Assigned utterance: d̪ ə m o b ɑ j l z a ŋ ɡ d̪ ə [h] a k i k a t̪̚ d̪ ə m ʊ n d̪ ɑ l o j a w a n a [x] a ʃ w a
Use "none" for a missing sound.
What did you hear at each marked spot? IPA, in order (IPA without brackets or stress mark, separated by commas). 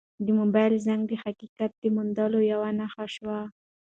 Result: h, x